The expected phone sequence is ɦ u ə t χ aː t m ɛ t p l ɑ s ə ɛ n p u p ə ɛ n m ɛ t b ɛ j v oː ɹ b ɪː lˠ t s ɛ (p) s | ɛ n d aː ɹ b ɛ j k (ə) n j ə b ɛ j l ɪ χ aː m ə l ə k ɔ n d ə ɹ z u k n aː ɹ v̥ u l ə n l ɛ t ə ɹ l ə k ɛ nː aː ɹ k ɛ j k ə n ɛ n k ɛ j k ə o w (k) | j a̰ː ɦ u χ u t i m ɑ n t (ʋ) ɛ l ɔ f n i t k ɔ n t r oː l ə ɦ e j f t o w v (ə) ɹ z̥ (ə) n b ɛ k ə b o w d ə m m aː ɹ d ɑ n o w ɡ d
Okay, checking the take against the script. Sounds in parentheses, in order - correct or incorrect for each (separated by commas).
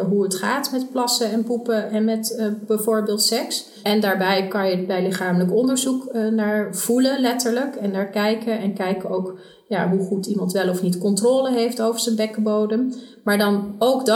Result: incorrect, incorrect, correct, correct, correct, correct